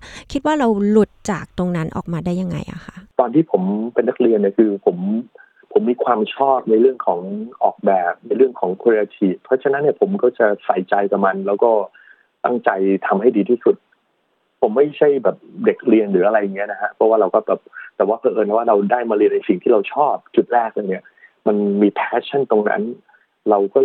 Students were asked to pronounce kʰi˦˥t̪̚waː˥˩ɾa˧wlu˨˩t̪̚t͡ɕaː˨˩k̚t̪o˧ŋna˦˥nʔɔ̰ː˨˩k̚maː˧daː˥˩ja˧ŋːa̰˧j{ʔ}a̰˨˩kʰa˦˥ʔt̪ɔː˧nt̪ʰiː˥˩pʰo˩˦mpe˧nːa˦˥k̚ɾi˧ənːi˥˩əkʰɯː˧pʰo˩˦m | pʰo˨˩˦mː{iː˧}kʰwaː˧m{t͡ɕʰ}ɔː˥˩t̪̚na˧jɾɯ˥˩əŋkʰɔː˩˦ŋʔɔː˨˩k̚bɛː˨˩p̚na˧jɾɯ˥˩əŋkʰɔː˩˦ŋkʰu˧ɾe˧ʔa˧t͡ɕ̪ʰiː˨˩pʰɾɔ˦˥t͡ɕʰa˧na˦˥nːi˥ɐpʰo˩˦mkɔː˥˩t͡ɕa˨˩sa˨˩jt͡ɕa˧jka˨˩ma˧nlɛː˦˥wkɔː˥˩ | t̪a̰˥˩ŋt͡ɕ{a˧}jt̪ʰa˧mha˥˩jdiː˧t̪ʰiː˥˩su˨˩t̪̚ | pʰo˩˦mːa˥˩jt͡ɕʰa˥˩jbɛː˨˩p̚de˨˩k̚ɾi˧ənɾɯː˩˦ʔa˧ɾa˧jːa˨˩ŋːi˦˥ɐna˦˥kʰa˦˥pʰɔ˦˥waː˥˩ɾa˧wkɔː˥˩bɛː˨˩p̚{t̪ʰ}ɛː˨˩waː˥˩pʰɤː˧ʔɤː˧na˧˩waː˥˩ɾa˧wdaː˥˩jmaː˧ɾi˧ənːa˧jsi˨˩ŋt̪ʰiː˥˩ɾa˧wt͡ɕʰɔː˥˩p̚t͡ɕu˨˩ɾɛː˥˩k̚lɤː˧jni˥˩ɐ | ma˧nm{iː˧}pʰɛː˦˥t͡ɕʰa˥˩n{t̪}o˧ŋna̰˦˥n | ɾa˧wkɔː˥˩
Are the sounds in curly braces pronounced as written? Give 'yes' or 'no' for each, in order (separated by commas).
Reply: yes, yes, yes, yes, no, yes, yes